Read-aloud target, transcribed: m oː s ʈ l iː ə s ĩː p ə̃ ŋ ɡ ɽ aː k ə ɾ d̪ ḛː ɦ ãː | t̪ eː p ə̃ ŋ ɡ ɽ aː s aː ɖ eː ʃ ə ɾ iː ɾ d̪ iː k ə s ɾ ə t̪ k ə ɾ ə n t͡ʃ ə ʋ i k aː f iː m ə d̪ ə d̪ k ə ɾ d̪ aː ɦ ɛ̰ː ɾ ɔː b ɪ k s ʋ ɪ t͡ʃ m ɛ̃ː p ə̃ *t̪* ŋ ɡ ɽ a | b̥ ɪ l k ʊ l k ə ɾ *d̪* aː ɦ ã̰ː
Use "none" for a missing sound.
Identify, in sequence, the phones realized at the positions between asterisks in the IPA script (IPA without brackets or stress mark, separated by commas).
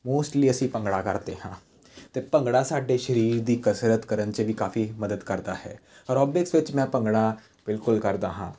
none, d̪